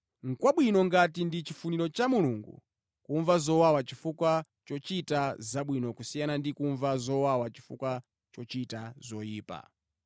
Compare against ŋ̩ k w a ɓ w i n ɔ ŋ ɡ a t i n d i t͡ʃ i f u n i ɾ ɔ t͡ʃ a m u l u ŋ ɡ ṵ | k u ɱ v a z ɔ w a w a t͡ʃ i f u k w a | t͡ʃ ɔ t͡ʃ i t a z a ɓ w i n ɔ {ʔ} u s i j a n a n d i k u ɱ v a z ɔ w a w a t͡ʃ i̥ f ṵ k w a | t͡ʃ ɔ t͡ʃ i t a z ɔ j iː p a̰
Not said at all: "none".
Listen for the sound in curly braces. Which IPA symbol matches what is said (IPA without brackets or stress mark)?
k